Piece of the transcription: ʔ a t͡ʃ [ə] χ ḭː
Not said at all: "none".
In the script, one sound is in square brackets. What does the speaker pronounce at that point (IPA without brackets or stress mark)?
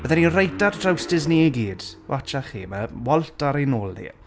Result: a